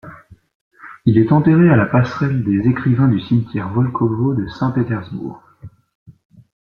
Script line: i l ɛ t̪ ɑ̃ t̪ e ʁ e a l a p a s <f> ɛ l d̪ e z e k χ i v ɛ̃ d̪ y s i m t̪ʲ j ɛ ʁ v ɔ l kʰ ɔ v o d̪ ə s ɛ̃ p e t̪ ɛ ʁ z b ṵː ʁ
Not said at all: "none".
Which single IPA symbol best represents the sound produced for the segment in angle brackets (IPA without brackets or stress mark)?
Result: χ